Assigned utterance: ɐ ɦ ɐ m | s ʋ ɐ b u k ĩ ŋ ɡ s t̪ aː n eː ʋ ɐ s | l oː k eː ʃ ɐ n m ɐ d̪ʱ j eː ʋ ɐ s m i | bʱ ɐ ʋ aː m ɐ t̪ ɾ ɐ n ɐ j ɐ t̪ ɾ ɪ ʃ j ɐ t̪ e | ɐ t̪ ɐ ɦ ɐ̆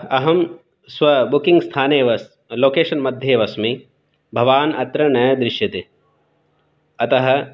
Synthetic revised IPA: ɐ ɦ ɐ m | s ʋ ɐ b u k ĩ ŋ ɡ s t̪ʰ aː n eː ʋ ɐ s | l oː k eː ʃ ɐ n m ɐ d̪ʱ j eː ʋ ɐ s m i | bʱ ɐ ʋ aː n ɐ t̪ ɾ ɐ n ɐ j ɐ d̪ ɾ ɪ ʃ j ɐ t̪ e | ɐ t̪ ɐ ɦ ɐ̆